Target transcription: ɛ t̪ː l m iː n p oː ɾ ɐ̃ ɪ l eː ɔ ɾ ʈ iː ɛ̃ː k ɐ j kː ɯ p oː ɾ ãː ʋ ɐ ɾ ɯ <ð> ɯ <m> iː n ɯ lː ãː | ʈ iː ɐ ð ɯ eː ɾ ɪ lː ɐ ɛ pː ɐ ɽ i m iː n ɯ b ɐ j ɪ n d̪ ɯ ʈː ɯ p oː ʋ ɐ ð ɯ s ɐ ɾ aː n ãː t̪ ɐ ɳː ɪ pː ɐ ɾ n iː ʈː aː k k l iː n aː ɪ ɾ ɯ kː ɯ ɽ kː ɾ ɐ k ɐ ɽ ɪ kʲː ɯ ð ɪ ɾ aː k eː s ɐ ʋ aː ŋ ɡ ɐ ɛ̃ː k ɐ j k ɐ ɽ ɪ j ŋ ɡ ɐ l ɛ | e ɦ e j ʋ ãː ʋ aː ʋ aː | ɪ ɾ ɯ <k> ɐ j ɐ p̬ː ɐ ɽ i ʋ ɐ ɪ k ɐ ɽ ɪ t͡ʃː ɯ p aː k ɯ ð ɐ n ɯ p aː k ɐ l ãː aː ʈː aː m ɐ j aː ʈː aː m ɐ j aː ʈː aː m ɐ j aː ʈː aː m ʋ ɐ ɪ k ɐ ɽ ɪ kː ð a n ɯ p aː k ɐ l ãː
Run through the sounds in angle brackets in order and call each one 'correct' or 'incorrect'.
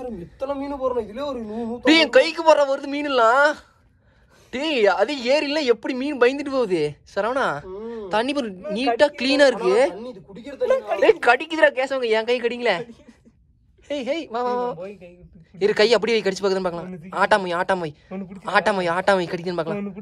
correct, correct, correct

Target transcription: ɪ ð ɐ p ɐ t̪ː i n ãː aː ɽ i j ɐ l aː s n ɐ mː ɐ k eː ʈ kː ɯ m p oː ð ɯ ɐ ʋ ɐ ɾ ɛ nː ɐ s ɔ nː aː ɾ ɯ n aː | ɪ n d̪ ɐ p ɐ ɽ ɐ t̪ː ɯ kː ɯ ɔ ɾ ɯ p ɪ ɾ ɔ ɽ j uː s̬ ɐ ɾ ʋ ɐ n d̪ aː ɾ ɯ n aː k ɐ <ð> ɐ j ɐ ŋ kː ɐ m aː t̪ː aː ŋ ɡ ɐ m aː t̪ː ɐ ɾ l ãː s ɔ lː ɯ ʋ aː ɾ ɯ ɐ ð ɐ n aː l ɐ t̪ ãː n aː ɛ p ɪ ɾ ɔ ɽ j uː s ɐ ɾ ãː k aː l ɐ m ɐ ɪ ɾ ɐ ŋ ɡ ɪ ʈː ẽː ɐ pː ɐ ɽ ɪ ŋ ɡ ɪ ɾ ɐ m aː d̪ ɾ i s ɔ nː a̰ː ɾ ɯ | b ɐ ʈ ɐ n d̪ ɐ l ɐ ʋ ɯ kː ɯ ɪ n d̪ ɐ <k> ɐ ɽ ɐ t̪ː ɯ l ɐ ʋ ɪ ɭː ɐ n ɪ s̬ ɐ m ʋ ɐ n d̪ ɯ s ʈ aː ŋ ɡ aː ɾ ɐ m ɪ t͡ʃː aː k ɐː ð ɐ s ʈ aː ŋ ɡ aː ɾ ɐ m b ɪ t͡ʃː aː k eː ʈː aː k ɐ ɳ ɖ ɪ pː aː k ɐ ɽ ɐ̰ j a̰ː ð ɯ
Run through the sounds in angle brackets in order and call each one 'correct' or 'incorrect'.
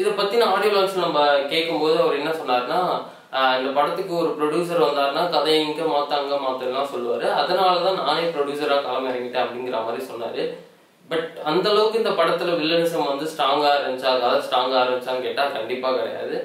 correct, incorrect

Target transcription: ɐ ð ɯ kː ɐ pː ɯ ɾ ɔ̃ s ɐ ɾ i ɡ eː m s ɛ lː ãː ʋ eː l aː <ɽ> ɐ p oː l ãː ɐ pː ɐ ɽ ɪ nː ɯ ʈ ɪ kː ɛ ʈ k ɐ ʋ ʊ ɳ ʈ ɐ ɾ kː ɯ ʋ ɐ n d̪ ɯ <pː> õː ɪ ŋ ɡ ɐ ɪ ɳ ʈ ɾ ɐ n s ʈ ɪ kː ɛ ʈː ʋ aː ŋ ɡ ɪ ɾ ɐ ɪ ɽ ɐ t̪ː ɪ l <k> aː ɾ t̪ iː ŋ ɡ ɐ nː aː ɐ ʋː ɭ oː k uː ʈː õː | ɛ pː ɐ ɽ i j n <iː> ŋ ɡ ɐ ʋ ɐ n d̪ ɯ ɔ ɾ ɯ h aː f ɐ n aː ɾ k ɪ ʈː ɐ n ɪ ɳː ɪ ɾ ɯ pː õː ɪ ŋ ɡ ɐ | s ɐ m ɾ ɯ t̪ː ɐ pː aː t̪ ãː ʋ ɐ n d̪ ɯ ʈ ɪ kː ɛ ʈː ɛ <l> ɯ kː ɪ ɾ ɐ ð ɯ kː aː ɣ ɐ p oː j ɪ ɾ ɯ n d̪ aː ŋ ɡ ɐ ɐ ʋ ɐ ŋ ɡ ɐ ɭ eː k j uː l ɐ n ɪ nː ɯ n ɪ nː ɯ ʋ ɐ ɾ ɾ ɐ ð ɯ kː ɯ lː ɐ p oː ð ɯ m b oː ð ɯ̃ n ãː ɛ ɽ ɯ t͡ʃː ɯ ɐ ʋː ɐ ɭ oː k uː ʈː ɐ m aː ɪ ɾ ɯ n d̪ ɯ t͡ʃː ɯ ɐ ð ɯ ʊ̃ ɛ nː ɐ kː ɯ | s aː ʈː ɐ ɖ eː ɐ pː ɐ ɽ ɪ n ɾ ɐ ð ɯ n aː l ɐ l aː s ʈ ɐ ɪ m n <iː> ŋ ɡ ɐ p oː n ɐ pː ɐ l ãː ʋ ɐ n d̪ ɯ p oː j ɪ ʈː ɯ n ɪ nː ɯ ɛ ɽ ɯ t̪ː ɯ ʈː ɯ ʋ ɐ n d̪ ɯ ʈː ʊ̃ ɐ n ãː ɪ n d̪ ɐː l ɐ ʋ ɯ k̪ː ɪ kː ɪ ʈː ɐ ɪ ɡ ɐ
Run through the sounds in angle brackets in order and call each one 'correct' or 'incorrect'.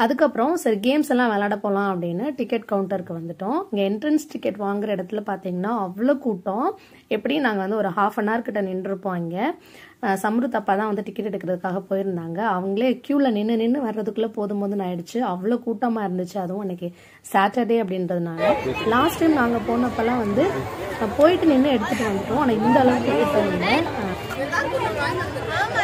correct, incorrect, incorrect, incorrect, incorrect, incorrect

